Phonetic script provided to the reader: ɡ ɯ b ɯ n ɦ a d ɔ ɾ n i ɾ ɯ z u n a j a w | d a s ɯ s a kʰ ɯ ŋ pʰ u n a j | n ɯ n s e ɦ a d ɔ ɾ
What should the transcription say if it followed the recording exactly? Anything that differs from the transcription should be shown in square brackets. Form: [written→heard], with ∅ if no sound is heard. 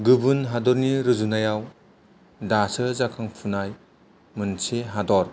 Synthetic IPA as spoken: ɡ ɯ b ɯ n ɦ a d ɔ ɾ n i ɾ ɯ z u n a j a w | d a s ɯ [s→z] a kʰ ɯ ŋ pʰ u n a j | [n→m] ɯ n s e ɦ a d ɔ ɾ